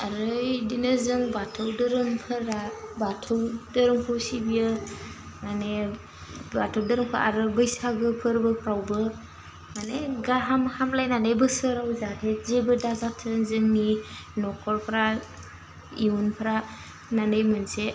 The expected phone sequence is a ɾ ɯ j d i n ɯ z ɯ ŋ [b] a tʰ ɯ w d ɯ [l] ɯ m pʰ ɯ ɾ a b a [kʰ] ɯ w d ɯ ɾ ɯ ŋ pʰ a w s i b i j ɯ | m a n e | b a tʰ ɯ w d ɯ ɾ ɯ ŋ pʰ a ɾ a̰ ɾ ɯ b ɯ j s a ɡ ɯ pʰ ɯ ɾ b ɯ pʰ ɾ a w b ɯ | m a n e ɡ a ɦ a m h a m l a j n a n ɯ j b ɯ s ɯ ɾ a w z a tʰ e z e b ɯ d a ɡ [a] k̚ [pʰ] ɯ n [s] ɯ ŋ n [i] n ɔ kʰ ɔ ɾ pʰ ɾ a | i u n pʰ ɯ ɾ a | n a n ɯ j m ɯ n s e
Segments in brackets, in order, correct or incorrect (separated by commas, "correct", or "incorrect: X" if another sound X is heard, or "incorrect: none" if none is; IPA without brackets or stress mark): correct, incorrect: ɾ, incorrect: tʰ, correct, incorrect: tʰ, incorrect: z, correct